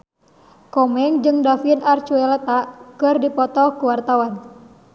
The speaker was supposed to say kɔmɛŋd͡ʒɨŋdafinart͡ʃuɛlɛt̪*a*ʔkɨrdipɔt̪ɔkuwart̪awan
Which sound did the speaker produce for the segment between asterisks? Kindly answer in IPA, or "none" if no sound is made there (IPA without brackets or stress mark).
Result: a